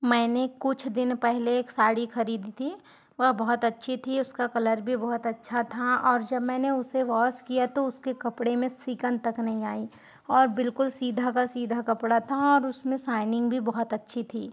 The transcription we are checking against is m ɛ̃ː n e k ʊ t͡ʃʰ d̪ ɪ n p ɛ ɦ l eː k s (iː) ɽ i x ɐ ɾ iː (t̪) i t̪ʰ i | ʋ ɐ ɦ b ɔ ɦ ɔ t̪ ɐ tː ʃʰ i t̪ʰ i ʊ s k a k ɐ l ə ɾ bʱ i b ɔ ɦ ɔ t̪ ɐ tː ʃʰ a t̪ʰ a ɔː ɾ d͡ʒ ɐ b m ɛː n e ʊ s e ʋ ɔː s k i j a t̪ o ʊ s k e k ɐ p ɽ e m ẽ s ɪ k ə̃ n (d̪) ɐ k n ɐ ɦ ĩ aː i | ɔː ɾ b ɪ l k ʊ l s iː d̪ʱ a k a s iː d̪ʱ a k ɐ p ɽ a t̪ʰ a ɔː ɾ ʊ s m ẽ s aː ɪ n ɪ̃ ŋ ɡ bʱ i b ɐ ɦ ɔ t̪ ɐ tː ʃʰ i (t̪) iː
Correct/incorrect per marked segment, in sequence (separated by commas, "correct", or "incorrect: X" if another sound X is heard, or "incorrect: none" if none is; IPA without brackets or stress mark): incorrect: aː, incorrect: d̪, incorrect: t̪, incorrect: t̪ʰ